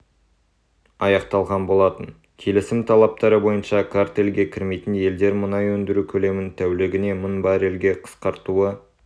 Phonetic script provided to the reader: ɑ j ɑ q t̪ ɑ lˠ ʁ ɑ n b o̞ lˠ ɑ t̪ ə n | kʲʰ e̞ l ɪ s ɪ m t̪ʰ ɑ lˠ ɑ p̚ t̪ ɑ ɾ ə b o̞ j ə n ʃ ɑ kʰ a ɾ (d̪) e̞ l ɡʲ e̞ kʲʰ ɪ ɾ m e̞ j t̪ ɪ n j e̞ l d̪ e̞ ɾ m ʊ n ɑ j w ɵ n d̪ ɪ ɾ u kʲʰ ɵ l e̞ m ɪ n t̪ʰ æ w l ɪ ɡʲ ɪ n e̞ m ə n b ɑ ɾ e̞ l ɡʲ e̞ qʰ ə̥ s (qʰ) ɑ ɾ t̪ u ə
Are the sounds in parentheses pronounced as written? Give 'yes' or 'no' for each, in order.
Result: no, no

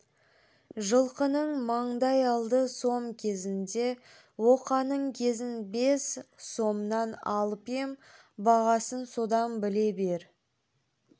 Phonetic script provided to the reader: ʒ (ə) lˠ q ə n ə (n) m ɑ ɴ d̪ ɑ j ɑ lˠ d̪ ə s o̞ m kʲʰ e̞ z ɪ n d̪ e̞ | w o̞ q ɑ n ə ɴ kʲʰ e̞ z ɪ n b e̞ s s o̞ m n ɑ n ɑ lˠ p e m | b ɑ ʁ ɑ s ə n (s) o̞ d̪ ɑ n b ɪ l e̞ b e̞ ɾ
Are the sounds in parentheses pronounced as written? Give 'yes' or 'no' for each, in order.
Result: yes, no, yes

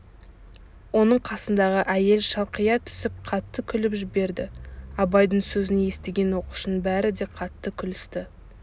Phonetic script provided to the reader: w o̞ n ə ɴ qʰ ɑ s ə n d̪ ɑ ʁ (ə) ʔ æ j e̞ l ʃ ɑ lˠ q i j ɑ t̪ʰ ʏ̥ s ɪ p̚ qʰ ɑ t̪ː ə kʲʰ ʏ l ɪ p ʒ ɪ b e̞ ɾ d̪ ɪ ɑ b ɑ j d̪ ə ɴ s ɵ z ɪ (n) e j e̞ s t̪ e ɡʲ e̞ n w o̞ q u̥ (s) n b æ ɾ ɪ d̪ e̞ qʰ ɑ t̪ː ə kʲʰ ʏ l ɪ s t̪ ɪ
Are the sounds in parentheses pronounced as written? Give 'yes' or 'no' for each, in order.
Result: yes, yes, no

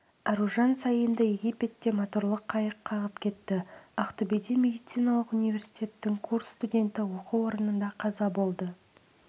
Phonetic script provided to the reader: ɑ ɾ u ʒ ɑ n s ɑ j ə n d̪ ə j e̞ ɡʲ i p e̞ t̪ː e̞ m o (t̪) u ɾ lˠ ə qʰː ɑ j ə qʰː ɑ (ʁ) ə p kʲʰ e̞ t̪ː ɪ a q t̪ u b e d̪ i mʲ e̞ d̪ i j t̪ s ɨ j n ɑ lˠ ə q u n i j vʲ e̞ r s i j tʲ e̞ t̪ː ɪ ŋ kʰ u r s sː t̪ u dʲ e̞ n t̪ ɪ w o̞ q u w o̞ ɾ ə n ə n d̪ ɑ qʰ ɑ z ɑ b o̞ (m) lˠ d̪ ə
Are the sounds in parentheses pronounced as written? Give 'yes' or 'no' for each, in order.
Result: yes, yes, no

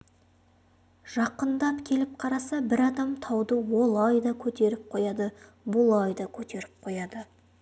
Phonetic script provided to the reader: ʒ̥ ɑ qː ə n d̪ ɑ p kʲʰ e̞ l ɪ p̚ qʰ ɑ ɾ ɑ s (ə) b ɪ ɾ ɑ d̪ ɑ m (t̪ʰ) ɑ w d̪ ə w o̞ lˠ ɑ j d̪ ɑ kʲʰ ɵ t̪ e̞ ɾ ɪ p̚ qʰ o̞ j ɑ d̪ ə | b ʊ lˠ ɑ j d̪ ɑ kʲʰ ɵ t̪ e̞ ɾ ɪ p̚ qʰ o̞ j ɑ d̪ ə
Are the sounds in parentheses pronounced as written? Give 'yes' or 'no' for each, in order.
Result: no, yes

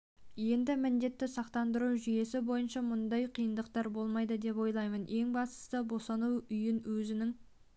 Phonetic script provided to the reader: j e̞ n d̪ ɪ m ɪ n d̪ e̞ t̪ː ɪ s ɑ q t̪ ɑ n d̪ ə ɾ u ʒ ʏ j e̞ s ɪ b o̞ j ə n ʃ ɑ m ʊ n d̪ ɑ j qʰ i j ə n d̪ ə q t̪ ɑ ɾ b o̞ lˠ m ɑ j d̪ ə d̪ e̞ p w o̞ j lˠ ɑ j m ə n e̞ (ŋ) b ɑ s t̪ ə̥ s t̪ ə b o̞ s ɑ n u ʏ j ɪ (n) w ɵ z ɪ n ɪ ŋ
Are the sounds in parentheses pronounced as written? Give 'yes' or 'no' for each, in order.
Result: yes, yes

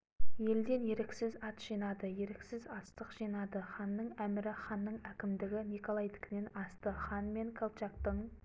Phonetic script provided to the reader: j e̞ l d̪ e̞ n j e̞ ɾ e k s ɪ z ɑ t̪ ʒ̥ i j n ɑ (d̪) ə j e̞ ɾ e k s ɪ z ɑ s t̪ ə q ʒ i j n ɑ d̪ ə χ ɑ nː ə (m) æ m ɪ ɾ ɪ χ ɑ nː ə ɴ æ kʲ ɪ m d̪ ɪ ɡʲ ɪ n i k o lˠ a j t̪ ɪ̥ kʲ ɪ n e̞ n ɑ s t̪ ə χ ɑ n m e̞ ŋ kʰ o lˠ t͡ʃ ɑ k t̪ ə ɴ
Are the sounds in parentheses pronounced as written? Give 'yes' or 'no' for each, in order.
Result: yes, no

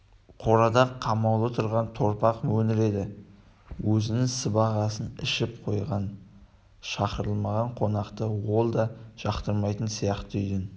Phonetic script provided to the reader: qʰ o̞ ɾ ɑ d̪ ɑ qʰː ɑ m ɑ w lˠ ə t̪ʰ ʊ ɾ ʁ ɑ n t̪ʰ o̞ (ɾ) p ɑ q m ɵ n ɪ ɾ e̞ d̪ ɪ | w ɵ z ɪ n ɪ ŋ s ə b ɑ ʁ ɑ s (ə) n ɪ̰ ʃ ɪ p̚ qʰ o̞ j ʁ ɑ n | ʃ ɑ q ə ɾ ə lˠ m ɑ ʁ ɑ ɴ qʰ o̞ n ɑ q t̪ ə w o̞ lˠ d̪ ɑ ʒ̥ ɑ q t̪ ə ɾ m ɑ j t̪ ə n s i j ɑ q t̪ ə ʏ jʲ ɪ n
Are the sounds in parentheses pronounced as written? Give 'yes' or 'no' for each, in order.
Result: yes, yes

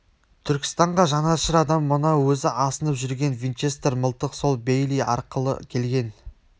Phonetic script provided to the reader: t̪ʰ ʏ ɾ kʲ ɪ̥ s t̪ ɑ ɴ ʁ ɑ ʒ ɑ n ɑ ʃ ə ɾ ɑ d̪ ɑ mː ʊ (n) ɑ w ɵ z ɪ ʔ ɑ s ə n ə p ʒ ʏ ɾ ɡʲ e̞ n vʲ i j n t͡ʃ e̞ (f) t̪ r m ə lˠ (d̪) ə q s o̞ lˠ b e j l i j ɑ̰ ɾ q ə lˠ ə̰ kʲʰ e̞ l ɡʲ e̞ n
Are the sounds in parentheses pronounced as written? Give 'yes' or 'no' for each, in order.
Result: yes, no, no

